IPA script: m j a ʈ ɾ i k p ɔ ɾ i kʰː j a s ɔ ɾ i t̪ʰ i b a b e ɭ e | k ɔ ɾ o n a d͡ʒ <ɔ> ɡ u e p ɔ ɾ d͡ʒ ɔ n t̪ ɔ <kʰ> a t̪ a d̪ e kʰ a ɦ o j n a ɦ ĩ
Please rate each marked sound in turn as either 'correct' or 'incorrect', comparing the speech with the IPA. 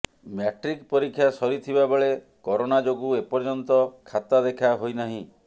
incorrect: o, correct

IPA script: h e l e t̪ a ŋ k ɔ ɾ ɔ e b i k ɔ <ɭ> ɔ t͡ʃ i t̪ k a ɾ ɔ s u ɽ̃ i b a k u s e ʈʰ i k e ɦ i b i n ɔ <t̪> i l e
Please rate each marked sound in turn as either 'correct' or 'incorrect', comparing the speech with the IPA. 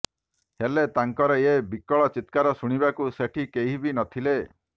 correct, incorrect: t̪ʰ

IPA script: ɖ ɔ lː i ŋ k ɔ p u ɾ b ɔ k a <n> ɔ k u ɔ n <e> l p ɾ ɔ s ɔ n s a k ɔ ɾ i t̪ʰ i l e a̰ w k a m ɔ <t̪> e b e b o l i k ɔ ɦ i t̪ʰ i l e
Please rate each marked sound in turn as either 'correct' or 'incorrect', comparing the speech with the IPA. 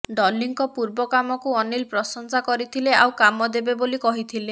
incorrect: m, incorrect: i, incorrect: d̪

